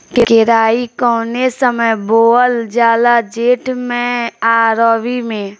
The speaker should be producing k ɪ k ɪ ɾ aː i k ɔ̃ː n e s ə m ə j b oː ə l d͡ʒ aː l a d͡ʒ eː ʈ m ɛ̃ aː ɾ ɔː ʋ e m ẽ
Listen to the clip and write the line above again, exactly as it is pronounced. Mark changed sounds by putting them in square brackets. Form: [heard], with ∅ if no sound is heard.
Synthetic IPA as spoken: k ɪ k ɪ ɾ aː i k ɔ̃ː n e s ə m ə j b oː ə l d͡ʒ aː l a d͡ʒ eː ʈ m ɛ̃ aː ɾ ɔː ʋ [i] m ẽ